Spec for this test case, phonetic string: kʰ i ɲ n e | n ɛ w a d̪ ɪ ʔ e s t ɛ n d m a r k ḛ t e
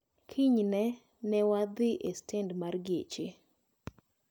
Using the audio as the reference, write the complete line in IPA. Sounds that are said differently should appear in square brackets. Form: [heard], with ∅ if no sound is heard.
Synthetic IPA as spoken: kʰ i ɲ n [ɛ] | n ɛ w a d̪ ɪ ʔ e s t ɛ n d m a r [ɡ] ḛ [t͡ʃ] e

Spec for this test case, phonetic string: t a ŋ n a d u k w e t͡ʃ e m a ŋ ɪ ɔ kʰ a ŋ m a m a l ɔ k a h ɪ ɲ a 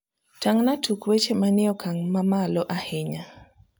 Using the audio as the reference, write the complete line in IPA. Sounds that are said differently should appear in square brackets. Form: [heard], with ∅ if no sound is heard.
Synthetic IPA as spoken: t a ŋ n a [t] u k w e t͡ʃ e m a [n] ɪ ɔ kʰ a ŋ m a m a l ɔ [ʔ] a h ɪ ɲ a

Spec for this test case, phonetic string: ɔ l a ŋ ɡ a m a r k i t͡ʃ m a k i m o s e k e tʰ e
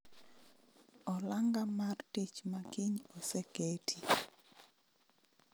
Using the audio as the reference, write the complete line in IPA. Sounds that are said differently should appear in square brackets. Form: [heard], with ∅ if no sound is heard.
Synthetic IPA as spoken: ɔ l a ŋ ɡ a m a r [t] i t͡ʃ m a k i [ɲ] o s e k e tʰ [i]

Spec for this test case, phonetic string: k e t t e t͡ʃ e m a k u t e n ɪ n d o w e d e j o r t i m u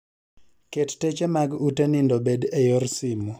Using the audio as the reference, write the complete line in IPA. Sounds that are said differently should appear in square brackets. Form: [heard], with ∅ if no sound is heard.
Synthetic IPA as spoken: k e t t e t͡ʃ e m a [ɡ] u t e n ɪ n d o [b] e d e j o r [s] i m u

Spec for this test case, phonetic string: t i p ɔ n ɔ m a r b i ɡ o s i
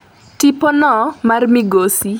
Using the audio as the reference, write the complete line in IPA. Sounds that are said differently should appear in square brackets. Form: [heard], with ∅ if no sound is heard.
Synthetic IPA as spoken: t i p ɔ n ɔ m a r [m] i ɡ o s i

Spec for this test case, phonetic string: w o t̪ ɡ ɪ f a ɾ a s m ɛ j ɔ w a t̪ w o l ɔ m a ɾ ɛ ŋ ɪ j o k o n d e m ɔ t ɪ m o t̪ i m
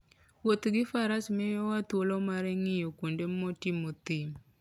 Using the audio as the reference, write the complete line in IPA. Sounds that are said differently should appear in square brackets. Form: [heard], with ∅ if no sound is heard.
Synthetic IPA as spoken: w o t̪ ɡ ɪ f a ɾ a s m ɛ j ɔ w a t̪ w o l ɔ m a ɾ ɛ ŋ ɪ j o k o n d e m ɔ t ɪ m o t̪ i m

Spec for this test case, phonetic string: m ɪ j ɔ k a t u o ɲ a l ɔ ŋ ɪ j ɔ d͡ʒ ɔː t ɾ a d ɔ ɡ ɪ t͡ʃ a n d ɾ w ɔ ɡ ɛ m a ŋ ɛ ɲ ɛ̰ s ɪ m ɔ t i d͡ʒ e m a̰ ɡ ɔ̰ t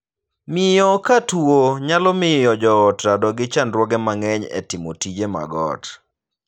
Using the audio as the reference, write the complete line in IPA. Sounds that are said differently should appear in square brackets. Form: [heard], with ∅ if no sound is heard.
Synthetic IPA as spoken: m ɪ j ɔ k a t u o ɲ a l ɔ [m] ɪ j ɔ d͡ʒ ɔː t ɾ a d ɔ ɡ ɪ t͡ʃ a n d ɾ w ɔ ɡ ɛ m a ŋ ɛ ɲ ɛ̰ [t] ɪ m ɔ t i d͡ʒ e m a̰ ɡ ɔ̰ t

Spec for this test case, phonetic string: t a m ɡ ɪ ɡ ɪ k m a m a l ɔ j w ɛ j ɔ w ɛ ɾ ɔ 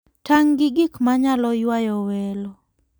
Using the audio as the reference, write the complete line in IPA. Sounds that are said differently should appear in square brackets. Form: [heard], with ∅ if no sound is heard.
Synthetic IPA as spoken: t a [ŋ] ɡ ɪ ɡ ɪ k m a [ɲ] a l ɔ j w [a] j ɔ w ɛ [l] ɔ

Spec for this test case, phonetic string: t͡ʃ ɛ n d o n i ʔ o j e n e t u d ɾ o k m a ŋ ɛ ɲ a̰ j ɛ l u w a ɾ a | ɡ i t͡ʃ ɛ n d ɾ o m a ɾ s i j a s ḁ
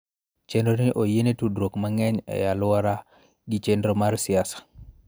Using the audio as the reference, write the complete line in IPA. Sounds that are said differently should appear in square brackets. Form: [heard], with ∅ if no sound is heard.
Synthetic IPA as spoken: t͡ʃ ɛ n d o n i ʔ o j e n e t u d ɾ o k m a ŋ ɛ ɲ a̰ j [a] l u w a ɾ a | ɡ i t͡ʃ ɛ n d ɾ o m a ɾ s i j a s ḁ

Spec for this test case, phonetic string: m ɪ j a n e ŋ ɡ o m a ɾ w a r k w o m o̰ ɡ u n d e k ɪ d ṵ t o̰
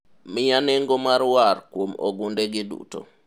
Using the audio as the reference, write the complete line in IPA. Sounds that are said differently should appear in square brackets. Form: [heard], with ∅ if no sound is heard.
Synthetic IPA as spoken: m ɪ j a n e ŋ ɡ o m a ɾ w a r k w o m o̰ ɡ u n d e [ɡ] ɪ d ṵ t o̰

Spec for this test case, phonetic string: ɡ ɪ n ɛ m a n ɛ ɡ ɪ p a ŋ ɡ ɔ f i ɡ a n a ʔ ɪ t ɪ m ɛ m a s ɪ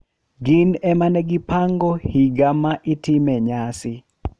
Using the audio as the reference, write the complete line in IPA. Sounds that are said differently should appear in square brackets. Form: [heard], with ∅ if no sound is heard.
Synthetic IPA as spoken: ɡ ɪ n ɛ m a n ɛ ɡ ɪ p a ŋ ɡ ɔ [h] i ɡ a [m] a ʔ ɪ t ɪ m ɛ [ɲ] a s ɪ

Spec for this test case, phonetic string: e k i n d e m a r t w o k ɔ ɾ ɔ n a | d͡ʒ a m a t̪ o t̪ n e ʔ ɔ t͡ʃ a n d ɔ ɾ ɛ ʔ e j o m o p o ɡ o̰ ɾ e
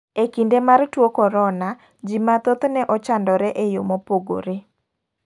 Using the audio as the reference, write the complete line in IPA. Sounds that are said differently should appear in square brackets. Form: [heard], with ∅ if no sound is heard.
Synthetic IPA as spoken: e k i n d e m a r t w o k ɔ ɾ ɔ n a | d͡ʒ [i] m a t̪ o t̪ n [ɛ] ʔ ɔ t͡ʃ a n d ɔ ɾ ɛ ʔ e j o m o p o ɡ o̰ ɾ e

